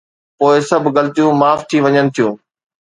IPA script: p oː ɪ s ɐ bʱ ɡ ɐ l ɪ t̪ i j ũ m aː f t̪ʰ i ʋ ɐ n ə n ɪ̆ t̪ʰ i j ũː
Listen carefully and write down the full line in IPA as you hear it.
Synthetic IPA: p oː ɪ s ɐ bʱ ɡ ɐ l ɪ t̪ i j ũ m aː f t̪ʰ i ʋ ɐ ɲ ə n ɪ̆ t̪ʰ i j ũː